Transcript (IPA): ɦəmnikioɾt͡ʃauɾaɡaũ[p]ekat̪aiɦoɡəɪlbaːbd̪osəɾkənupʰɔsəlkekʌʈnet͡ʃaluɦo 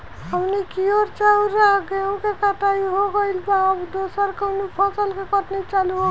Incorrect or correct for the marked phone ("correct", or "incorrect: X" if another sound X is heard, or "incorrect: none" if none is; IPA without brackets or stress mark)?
incorrect: k